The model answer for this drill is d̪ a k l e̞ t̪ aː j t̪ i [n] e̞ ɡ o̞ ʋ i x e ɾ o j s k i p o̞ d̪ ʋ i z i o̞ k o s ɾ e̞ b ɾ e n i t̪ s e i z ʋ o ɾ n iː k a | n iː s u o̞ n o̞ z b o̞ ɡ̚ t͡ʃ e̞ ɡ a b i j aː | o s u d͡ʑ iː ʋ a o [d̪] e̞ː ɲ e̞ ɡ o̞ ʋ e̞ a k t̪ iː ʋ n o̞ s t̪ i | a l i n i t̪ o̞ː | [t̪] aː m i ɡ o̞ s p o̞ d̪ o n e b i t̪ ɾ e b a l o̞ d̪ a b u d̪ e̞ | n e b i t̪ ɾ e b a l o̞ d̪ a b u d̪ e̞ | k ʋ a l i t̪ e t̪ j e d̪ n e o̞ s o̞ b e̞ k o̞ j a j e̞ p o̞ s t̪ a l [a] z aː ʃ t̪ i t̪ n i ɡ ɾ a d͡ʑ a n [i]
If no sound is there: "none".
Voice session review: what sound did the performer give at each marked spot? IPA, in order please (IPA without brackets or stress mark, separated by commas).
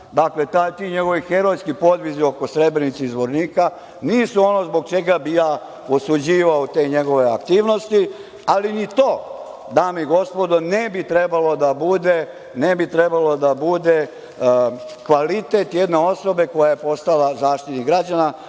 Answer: ɲ, t̪, d̪, a, a